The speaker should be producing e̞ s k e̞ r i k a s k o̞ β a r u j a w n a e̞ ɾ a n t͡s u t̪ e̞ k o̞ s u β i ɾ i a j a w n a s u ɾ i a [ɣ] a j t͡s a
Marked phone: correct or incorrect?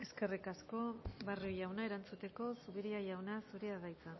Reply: incorrect